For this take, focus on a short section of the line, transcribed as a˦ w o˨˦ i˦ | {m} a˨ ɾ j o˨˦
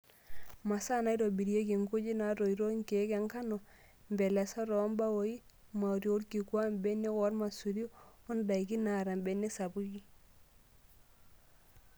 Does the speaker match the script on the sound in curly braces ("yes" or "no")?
yes